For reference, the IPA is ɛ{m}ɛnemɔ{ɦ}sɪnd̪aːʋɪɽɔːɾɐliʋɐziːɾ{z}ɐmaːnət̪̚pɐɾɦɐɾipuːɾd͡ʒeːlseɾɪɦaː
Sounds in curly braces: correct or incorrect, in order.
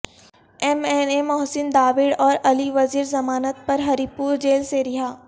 correct, correct, correct

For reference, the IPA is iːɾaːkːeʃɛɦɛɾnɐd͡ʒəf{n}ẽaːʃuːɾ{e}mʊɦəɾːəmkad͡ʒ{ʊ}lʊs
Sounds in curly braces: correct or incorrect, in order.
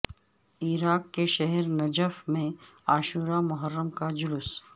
incorrect: m, incorrect: a, correct

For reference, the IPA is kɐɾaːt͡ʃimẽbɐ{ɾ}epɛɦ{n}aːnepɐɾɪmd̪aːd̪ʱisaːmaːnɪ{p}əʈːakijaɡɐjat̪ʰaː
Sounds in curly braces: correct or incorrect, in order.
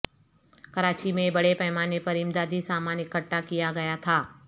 incorrect: ɽ, incorrect: m, incorrect: k

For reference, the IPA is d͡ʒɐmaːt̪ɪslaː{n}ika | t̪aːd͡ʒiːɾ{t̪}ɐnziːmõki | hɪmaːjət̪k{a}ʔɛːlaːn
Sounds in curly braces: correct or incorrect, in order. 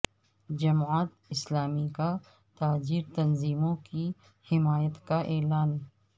incorrect: m, correct, correct

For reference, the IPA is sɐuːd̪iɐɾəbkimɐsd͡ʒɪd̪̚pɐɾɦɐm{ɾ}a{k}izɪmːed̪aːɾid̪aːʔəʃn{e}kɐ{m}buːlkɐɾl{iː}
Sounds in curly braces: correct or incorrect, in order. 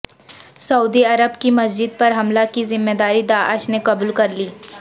incorrect: l, correct, correct, incorrect: none, correct

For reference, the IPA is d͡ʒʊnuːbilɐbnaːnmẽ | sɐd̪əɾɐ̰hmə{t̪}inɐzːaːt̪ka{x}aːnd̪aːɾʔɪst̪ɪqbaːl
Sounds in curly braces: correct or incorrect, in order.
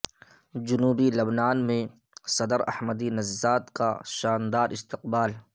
incorrect: d̪, incorrect: ʃ

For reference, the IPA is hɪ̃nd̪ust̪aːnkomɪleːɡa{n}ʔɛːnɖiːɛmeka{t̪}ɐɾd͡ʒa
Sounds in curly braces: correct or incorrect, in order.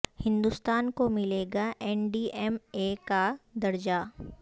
incorrect: none, incorrect: d̪

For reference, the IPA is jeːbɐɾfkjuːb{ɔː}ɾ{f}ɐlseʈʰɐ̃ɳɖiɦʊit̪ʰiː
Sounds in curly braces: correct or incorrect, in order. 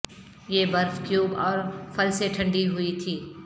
correct, correct

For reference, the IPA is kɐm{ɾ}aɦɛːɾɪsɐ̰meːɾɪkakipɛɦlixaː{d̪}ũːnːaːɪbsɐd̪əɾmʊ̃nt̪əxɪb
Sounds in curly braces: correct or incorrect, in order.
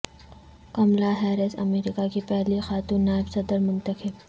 incorrect: l, incorrect: t̪

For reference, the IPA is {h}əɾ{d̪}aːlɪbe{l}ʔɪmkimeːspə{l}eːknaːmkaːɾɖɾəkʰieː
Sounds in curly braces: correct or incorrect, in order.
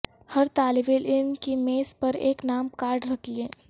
correct, incorrect: t̪, correct, incorrect: ɾ

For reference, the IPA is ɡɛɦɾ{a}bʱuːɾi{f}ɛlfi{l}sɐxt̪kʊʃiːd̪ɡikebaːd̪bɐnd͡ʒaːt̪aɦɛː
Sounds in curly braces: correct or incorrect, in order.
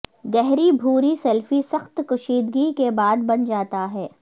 incorrect: i, incorrect: s, incorrect: none

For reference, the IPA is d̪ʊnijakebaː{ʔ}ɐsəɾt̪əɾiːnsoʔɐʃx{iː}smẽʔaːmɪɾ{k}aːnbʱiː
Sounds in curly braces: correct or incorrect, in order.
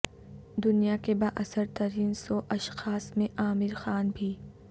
correct, incorrect: aː, incorrect: x

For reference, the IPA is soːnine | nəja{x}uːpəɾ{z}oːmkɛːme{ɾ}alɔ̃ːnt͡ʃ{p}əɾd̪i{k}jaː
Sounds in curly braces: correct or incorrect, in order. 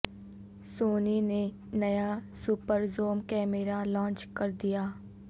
incorrect: s, correct, correct, incorrect: k, incorrect: none

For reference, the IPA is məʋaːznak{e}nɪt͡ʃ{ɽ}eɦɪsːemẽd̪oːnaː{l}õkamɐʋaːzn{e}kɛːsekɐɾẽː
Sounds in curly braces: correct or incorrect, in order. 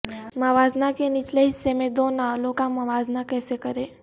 correct, incorrect: l, correct, incorrect: a

